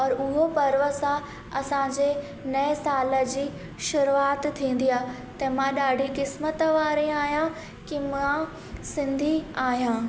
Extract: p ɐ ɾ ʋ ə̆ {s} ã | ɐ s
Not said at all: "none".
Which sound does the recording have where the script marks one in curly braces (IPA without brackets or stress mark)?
s